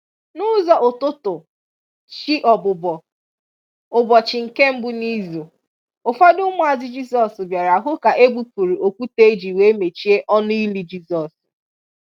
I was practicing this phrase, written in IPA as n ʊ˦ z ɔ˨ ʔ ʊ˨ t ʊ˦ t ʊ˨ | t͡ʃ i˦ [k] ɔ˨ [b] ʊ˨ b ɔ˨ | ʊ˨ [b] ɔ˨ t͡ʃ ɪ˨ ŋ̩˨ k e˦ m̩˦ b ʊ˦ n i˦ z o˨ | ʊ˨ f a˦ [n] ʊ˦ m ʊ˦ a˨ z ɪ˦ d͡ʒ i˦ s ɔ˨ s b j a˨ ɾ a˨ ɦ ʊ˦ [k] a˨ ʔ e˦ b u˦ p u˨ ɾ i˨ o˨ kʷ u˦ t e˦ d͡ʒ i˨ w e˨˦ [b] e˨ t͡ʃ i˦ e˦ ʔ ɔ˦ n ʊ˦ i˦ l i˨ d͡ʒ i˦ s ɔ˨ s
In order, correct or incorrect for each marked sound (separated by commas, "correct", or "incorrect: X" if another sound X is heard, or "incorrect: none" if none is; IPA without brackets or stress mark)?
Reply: incorrect: ʔ, correct, correct, incorrect: d, correct, incorrect: m